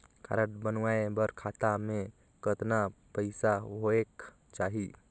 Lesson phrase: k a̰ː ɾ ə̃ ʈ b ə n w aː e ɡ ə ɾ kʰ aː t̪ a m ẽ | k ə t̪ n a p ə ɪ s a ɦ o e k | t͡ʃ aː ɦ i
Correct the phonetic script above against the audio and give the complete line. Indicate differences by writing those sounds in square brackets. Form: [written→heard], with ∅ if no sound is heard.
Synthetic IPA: k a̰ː ɾ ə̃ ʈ b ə n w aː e [ɡ→b] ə ɾ kʰ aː t̪ a m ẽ | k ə t̪ n a p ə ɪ s a ɦ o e k | t͡ʃ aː ɦ i